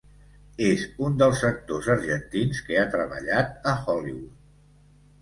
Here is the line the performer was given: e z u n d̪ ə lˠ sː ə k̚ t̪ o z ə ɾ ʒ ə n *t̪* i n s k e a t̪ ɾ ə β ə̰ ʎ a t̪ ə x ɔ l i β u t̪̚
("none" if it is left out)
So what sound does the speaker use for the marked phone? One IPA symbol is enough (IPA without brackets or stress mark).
t̪